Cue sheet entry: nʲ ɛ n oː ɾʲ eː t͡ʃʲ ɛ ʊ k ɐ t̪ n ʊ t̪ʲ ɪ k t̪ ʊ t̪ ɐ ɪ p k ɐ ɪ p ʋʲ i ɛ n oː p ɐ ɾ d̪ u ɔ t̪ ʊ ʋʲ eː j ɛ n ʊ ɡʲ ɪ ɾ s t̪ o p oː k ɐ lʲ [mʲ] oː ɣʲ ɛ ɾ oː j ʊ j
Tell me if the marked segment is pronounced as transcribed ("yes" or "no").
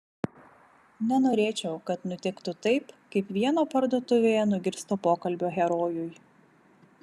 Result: no